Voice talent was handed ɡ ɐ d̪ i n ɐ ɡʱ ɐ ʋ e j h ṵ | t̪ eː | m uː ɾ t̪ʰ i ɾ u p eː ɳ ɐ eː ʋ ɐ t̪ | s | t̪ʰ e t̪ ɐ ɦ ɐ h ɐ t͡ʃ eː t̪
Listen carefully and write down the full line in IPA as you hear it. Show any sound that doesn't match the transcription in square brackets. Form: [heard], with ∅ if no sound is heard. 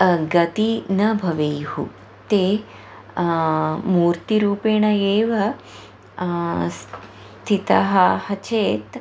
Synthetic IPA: ɡ ɐ [t̪] i n ɐ [bʱ] ɐ ʋ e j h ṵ | t̪ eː | m uː ɾ [t̪] i ɾ [uː] p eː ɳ ɐ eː ʋ ɐ [∅] | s | t̪ʰ [i] t̪ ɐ ɦ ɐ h ɐ t͡ʃ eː t̪